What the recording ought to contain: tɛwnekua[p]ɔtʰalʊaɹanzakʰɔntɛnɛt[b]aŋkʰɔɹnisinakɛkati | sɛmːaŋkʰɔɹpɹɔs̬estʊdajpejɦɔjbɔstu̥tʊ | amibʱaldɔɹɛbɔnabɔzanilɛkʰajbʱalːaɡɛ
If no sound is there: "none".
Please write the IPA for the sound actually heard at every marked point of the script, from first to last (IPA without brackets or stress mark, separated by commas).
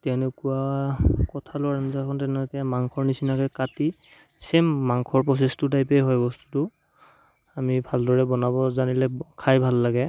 k, m